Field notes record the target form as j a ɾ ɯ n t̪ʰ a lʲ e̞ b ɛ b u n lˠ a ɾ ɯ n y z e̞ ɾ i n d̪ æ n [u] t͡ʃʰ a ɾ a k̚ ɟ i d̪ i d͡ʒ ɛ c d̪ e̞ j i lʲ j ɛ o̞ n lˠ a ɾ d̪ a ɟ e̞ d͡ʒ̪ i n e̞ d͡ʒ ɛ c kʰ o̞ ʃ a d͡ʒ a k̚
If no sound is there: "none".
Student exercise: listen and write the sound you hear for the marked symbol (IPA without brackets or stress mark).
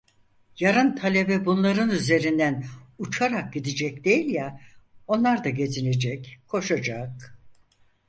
u